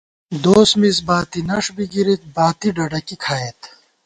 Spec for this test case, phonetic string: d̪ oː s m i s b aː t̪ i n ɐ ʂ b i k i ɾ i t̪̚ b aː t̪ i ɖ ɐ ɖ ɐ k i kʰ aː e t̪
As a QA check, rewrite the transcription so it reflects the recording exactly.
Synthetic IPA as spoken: d̪ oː s m i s b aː t̪ i n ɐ ʂ b i ɡ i ɾ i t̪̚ b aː t̪ i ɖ ɐ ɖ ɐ k i kʰ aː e t̪